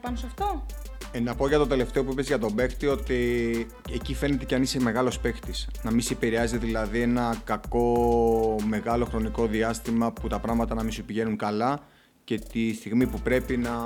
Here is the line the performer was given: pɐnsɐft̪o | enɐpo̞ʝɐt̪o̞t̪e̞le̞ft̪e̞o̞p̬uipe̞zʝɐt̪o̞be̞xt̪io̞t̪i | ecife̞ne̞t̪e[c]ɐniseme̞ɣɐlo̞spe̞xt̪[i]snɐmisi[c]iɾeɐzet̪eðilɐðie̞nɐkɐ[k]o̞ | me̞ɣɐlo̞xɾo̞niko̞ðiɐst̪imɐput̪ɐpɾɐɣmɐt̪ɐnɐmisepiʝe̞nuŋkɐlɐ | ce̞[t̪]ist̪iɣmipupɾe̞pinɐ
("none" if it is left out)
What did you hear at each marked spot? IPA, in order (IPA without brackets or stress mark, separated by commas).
c, i, p, k, t̪